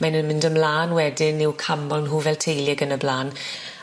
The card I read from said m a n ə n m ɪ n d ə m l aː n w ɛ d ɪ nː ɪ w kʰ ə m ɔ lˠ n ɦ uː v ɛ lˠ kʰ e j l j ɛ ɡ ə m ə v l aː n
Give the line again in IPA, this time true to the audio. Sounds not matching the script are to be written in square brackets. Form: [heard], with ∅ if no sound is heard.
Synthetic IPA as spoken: m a n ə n m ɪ n d ə m l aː n w ɛ d ɪ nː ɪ w kʰ [a] m ɔ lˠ n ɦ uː v ɛ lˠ [tʰ] e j l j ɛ ɡ ə [n] ə [b] l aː n